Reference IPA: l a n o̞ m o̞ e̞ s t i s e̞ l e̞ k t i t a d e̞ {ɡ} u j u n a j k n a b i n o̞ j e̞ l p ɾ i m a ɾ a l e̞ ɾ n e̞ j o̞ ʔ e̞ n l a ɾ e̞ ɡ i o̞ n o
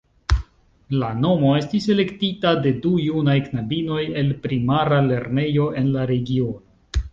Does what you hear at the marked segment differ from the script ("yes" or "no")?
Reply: yes